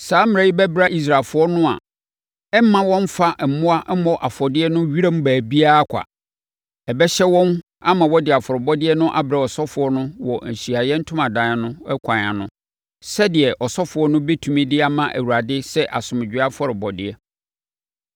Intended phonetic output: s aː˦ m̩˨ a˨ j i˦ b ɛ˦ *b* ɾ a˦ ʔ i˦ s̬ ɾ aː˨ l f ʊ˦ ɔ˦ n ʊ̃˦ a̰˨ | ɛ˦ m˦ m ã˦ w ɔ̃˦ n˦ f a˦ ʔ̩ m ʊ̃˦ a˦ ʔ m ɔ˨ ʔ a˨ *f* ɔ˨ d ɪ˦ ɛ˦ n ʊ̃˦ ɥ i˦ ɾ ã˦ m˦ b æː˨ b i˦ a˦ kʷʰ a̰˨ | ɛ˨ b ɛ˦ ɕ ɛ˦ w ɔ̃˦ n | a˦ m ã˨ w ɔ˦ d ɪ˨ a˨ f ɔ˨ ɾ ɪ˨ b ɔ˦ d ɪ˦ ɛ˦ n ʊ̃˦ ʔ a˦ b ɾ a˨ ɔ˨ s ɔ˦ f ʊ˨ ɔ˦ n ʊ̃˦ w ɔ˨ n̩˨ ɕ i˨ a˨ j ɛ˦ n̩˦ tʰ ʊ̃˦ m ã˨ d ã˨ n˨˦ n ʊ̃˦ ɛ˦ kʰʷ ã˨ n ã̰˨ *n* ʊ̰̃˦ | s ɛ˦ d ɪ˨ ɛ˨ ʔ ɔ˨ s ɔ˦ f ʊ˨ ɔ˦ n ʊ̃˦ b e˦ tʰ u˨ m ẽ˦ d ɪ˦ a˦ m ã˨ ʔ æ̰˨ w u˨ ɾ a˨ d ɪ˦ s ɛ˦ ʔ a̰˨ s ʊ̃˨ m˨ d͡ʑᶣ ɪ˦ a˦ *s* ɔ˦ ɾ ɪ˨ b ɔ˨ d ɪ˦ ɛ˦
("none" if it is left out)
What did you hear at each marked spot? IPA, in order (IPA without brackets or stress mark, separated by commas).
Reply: b, f, n, f